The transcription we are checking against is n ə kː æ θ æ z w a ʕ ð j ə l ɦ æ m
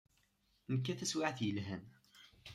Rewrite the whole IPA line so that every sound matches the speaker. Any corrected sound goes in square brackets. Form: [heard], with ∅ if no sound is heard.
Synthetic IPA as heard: n ə kː æ θ æ [s] w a ʕ [θ] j ə l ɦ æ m